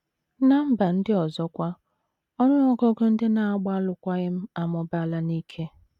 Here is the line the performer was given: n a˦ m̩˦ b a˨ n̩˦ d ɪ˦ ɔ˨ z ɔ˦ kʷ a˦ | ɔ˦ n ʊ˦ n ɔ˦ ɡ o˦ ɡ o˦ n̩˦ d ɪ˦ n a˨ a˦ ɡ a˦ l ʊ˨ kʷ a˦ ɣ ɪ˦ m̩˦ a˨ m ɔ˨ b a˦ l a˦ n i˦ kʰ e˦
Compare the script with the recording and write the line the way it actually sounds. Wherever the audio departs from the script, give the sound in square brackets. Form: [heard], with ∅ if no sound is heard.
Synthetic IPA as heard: n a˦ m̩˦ b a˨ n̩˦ d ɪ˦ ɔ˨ z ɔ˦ kʷ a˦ | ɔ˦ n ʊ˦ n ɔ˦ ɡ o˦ ɡ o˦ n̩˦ d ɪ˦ n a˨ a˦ [ɡ͡b] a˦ l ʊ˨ kʷ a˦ ɣ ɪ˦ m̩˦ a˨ m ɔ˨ b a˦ l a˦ n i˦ kʰ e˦